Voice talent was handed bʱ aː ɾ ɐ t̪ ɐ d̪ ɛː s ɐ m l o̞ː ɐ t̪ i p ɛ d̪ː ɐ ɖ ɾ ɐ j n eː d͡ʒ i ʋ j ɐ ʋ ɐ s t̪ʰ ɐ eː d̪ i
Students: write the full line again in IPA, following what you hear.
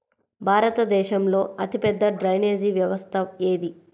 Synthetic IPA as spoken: bʱ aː ɾ ɐ t̪ ɐ d̪ ɛː ʃ ɐ m l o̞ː ɐ t̪ i p ɛ d̪ː ɐ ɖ ɾ ɐ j n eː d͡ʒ i ʋ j ɐ ʋ ɐ s t̪ʰ ɐ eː d̪ i